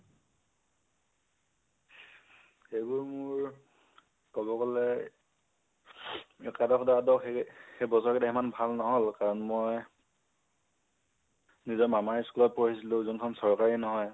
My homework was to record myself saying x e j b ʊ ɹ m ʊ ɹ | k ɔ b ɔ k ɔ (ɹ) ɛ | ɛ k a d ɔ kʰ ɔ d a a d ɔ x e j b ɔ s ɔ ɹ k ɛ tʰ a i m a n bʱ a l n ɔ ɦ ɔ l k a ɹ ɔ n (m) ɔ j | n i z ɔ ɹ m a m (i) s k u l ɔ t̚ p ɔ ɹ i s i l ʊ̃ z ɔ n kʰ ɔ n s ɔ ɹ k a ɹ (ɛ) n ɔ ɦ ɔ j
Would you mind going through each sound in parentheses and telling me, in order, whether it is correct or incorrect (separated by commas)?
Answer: incorrect, correct, incorrect, incorrect